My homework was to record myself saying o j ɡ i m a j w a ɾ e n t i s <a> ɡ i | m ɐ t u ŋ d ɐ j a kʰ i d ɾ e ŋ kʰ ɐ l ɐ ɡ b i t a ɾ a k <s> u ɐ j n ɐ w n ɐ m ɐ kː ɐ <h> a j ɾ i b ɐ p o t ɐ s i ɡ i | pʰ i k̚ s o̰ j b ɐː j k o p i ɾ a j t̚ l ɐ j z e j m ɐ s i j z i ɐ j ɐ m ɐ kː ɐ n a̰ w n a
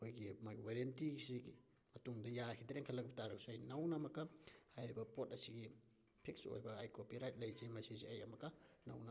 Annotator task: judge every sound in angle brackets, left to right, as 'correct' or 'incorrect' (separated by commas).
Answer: incorrect, correct, correct